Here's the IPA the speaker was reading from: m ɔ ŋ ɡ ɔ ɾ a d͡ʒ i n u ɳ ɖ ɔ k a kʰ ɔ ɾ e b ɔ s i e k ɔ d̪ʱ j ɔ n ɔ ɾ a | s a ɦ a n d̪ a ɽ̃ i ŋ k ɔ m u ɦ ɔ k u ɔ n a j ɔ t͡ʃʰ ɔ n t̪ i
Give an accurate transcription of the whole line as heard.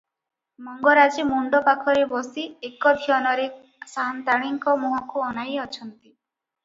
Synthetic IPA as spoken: m ɔ ŋ ɡ ɔ ɾ a d͡ʒ i m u ɳ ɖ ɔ p a kʰ ɔ ɾ e b ɔ s i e k ɔ d̪ʱ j ɔ n ɔ ɾ e | s a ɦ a n t̪ a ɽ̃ i ŋ k ɔ m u ɦ ɔ k u ɔ n a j ɔ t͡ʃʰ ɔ n t̪ i